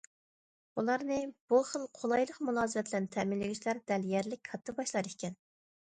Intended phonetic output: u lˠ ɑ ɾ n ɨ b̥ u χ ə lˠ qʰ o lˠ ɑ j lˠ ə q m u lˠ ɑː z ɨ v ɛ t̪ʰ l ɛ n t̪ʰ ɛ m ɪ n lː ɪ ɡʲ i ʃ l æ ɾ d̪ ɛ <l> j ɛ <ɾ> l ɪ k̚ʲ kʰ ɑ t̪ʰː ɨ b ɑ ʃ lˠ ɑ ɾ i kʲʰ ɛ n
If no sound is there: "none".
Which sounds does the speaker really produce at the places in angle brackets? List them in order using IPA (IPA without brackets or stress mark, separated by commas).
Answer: l, ɾ